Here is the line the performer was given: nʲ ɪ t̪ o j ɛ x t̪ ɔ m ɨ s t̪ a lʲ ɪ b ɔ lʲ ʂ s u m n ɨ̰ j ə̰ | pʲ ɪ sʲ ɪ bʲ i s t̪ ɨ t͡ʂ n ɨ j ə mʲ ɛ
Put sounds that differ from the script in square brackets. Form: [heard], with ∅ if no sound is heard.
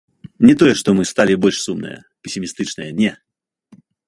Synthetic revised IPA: nʲ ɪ t̪ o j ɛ [ʂ] t̪ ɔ m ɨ s t̪ a lʲ ɪ b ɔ lʲ ʂ s u m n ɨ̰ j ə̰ | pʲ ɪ sʲ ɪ [mʲ] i s t̪ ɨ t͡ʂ n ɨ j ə [nʲ] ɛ

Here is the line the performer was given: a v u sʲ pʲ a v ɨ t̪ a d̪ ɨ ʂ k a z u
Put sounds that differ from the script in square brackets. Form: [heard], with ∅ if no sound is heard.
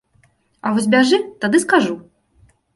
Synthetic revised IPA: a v [ɔ] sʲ [bʲ] a [ʐ] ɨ t̪ a d̪ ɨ [s] k a [ʐ] u

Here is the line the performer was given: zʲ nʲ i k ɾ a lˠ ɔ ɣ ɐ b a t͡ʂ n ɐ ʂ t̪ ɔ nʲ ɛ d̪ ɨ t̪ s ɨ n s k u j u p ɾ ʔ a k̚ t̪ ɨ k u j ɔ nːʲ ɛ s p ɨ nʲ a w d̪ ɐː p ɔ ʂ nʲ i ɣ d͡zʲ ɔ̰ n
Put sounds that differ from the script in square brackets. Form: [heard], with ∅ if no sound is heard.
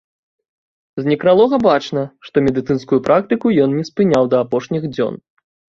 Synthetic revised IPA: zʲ nʲ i k ɾ a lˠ ɔ ɣ ɐ b a t͡ʂ n ɐ ʂ t̪ ɔ [mʲ] ɛ d̪ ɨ t̪ s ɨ n s k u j u p ɾ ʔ a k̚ t̪ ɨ k u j ɔ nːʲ ɛ s p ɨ nʲ a w d̪ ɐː p ɔ ʂ nʲ i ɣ d͡zʲ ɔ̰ n

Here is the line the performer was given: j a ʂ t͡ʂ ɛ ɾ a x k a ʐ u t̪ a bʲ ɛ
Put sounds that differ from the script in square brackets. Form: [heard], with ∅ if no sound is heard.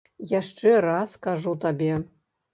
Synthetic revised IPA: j a ʂ t͡ʂ ɛ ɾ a [s] k a ʐ u t̪ a bʲ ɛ

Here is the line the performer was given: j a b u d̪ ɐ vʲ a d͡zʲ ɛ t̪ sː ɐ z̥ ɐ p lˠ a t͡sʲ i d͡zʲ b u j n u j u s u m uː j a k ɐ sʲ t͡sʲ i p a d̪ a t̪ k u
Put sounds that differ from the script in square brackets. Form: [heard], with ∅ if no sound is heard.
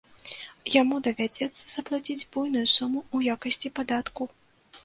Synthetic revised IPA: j a [m] u d̪ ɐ vʲ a d͡zʲ ɛ t̪ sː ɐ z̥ ɐ p lˠ a t͡sʲ i d͡zʲ b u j n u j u s u m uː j a k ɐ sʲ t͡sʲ i p a d̪ a t̪ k u

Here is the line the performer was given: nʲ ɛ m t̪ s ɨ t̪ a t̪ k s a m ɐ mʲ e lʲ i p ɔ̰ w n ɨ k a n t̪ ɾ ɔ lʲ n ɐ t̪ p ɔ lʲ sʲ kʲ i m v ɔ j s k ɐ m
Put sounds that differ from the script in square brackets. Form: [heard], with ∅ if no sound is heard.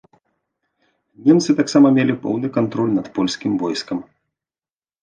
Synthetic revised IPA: nʲ ɛ m t̪ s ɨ t̪ a [∅] k s a m ɐ mʲ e lʲ i p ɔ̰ w n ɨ k a n t̪ ɾ ɔ lʲ n ɐ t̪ p ɔ lʲ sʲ kʲ i m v ɔ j s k ɐ m

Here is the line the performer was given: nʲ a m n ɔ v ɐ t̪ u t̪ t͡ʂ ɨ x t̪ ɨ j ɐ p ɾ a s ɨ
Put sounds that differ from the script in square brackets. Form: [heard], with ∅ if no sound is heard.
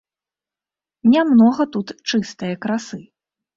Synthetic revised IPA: nʲ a m n ɔ [ɣ] ɐ t̪ u t̪ t͡ʂ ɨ [s] t̪ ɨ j ɐ [k] ɾ a s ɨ

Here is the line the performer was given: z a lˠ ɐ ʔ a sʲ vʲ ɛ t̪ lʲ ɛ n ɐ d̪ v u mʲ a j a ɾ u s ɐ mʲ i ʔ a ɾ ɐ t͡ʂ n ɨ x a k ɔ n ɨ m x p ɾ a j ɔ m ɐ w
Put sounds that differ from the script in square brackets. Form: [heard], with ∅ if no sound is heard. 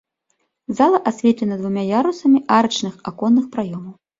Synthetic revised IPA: z a lˠ ɐ ʔ a sʲ vʲ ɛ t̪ lʲ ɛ n ɐ d̪ v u mʲ a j a ɾ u s ɐ mʲ i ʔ a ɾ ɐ t͡ʂ n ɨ x a k ɔ [nː] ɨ [∅] x p ɾ a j ɔ m ɐ w

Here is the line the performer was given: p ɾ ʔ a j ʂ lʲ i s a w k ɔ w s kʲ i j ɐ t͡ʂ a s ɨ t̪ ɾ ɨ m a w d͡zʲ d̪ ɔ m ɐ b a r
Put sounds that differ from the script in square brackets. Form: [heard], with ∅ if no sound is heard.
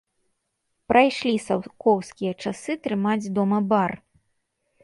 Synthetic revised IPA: p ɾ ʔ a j ʂ lʲ i s a w k ɔ w s kʲ i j ɐ t͡ʂ a s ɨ t̪ ɾ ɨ m a [∅] d͡zʲ d̪ ɔ m ɐ b a r

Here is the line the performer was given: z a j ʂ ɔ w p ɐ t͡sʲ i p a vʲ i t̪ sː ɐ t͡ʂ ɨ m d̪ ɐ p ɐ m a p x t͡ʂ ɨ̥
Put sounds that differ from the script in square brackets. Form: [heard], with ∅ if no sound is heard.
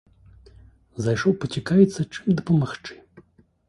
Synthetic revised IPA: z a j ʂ ɔ w p ɐ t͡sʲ i [k] a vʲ i t̪ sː ɐ t͡ʂ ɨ m d̪ ɐ p ɐ m a [∅] x t͡ʂ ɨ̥

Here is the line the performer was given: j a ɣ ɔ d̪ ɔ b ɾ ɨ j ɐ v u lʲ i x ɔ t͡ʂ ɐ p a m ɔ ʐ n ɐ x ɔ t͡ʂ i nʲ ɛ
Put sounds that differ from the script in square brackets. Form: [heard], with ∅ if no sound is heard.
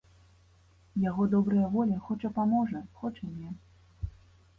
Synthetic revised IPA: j a ɣ ɔ d̪ ɔ b ɾ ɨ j ɐ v [ɔ] lʲ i x ɔ t͡ʂ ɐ p a m ɔ ʐ n ɐ x ɔ t͡ʂ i nʲ ɛ

